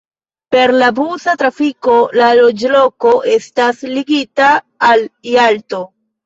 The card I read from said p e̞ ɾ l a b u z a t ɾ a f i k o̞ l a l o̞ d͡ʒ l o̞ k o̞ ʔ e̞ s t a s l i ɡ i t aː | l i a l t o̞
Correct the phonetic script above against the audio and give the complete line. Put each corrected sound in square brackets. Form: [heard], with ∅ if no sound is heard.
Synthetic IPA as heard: p e̞ ɾ l a b u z a t ɾ a f i k o̞ l a l o̞ d͡ʒ l o̞ k o̞ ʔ e̞ s t a s l i ɡ i t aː | l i a l t o̞